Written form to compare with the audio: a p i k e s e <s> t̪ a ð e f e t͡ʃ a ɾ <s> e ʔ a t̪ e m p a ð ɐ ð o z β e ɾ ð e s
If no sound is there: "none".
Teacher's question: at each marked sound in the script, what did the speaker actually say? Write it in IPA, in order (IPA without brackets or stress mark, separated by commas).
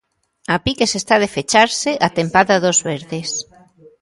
s, s